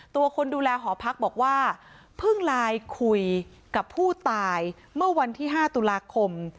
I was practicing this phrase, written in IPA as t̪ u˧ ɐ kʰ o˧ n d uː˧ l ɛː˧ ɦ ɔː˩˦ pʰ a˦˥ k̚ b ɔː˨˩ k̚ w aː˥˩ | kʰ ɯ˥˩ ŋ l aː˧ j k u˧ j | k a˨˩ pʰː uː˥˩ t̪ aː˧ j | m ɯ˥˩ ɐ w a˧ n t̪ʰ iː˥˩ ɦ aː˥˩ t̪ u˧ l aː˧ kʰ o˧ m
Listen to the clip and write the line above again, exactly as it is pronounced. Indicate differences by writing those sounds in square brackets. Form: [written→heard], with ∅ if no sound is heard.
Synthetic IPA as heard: t̪ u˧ ɐ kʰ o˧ n d uː˧ l ɛː˧ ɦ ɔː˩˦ pʰ a˦˥ k̚ b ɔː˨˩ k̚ w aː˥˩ | [kʰ→pʰ] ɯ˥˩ ŋ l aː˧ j [k→kʰ] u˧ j | k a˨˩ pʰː uː˥˩ t̪ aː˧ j | m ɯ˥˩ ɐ w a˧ n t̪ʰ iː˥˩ ɦ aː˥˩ t̪ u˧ l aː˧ kʰ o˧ m